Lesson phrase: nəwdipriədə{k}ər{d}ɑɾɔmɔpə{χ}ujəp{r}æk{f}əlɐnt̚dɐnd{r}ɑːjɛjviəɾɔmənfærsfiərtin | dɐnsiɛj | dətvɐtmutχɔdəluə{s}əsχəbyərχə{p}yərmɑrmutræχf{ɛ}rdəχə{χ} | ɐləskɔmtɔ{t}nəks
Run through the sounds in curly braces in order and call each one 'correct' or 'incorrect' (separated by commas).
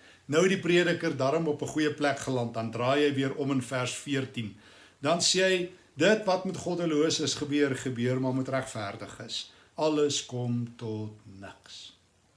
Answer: correct, correct, correct, incorrect, incorrect, correct, correct, incorrect, incorrect, incorrect, correct